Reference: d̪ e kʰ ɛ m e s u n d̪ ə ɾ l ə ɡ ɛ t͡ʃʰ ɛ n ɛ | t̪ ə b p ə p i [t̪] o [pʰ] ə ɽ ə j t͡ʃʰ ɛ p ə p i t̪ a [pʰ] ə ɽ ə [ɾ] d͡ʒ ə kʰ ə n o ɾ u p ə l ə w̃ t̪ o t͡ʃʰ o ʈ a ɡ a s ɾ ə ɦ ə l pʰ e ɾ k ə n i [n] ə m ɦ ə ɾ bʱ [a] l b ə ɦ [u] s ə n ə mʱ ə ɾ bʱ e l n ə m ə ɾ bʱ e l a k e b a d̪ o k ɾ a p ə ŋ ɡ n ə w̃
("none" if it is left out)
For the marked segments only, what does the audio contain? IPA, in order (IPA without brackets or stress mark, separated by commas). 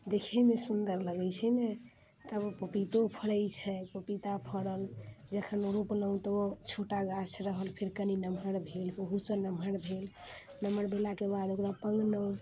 t̪, pʰ, pʰ, l, n, e, u